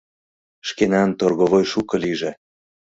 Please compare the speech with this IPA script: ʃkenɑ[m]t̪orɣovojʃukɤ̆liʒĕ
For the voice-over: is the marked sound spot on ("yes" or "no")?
no